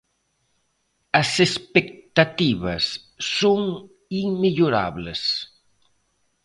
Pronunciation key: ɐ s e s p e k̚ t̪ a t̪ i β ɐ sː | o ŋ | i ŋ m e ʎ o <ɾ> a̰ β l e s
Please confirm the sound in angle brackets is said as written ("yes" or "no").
yes